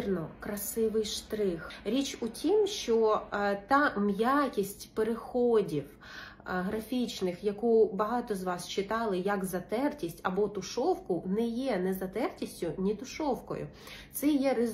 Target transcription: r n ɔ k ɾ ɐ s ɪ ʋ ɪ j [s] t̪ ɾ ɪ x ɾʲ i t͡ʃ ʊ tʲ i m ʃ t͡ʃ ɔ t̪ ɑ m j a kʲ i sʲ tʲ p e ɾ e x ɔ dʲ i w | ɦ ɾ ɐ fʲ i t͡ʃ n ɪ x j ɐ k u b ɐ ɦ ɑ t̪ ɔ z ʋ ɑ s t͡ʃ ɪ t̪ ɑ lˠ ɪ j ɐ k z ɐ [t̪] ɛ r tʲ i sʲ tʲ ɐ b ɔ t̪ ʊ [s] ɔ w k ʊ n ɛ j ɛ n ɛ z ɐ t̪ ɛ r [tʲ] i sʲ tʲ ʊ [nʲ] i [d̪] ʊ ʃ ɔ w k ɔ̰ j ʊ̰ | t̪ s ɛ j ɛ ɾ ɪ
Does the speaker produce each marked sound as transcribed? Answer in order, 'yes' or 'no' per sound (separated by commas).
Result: no, yes, no, yes, yes, no